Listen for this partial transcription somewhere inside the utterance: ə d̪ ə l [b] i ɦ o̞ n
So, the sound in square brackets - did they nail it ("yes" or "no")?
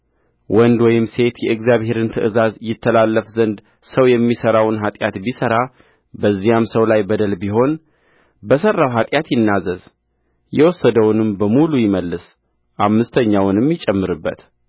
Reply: yes